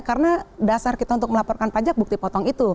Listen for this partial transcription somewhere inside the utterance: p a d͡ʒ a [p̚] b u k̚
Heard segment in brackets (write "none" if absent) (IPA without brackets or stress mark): k̚